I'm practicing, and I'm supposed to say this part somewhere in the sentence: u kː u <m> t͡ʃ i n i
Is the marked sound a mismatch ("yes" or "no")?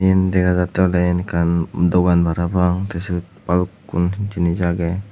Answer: yes